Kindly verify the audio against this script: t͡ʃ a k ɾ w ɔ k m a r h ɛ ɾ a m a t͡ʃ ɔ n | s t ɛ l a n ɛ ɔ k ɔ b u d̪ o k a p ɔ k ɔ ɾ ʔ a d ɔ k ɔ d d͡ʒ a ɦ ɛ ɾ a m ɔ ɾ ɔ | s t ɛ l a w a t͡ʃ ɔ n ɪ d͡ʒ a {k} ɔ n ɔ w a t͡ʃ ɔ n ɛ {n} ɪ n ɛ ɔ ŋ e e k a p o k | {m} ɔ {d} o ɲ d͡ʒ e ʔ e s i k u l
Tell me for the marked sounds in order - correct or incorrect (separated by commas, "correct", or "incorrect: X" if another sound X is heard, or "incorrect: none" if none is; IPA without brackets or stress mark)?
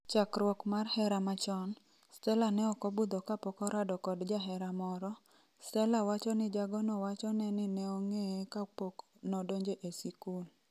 incorrect: ɡ, correct, incorrect: n, correct